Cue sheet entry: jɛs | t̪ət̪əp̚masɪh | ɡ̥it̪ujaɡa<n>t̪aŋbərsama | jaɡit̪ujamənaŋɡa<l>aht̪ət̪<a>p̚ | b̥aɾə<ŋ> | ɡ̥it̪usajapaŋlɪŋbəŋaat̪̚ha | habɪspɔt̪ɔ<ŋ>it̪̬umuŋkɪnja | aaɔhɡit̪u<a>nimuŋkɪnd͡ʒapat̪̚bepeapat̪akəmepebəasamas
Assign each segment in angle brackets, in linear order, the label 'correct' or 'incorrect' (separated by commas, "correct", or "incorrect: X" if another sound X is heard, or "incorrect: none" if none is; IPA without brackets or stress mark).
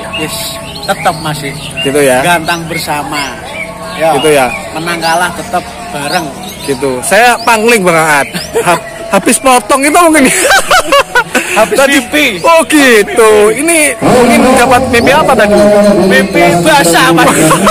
correct, correct, incorrect: ə, correct, correct, incorrect: i